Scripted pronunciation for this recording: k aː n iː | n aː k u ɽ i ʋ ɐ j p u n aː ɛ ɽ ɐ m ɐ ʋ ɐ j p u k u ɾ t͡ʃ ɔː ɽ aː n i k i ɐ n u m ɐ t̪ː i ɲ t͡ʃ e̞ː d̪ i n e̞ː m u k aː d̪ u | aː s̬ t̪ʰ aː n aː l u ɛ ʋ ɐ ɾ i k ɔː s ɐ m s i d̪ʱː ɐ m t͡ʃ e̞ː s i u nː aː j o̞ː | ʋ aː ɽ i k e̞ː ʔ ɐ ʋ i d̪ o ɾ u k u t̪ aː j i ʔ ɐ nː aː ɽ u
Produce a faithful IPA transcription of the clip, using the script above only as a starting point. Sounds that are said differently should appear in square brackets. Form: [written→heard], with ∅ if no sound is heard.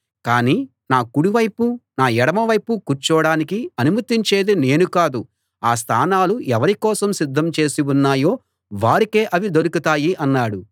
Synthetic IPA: k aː n iː | n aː k u ɽ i ʋ ɐ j p u n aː ɛ ɽ ɐ m ɐ ʋ ɐ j p u k u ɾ t͡ʃ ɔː ɽ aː n i k i ɐ n u m ɐ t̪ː i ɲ t͡ʃ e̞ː d̪ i n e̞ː [m→n] u k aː d̪ u | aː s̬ t̪ʰ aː n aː l u ɛ ʋ ɐ ɾ i k ɔː s ɐ m s i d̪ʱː ɐ m t͡ʃ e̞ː s i u nː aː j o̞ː | ʋ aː [ɽ→ɾ] i k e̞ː ʔ ɐ ʋ i d̪ o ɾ u k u t̪ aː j i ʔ ɐ nː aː ɽ u